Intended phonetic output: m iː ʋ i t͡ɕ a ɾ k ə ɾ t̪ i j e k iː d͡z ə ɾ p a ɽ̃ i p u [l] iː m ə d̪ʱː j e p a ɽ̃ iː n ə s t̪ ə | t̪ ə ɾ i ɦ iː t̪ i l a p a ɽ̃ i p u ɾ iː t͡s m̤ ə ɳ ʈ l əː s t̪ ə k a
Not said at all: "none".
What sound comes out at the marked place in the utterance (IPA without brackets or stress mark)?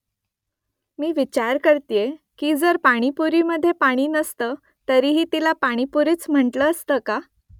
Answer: ɾ